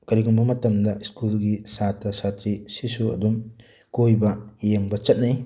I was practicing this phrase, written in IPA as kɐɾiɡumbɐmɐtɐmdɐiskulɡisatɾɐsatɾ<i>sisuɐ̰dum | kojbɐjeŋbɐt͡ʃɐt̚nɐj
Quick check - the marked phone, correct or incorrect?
correct